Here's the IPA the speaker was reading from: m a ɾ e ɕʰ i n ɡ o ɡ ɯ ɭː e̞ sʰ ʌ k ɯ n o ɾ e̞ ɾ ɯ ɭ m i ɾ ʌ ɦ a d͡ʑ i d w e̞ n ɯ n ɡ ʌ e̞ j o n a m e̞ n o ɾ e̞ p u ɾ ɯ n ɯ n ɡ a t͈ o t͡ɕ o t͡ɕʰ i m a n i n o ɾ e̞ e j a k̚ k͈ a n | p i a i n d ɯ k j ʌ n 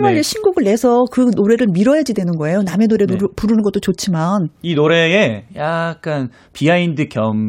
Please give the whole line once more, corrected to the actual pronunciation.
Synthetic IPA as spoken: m a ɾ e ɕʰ i n ɡ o ɡ ɯ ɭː e̞ sʰ ʌ k ɯ n o ɾ e̞ ɾ ɯ ɭ m i ɾ ʌ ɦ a d͡ʑ i d w e̞ n ɯ n ɡ ʌ e̞ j o n a m e̞ n o ɾ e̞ p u ɾ ɯ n ɯ n ɡ ʌ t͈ o t͡ɕ o t͡ɕʰ i m a n i n o ɾ e̞ e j a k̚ k͈ a n | p i a i n d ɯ k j ʌ m